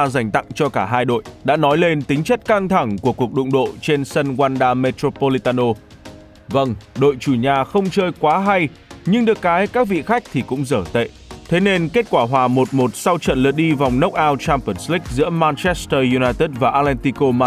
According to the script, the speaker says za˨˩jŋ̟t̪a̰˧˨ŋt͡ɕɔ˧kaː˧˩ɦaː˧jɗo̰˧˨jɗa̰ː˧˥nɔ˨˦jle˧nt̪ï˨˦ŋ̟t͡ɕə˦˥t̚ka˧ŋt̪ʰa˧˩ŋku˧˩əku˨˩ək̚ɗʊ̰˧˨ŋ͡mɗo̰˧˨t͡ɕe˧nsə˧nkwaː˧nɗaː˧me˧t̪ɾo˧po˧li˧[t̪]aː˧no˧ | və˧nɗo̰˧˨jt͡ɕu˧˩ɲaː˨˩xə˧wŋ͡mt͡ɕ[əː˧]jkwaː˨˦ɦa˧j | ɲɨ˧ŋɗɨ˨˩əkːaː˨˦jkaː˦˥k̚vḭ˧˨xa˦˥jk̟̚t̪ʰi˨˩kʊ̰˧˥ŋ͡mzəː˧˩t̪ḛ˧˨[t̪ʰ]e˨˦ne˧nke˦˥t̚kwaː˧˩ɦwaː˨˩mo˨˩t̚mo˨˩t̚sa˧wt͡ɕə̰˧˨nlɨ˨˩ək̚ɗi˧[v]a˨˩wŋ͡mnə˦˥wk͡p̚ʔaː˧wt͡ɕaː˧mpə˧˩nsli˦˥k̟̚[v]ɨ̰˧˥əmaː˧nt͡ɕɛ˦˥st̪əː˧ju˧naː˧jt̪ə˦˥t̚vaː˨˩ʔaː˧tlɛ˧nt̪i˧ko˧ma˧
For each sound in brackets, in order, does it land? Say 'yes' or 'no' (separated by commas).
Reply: yes, yes, yes, yes, no